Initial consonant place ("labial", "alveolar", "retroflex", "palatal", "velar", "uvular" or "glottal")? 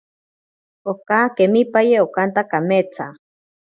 velar